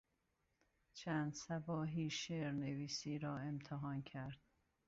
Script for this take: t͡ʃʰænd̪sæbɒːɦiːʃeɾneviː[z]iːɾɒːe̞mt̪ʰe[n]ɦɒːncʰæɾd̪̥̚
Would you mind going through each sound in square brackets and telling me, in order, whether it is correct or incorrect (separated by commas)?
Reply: incorrect, incorrect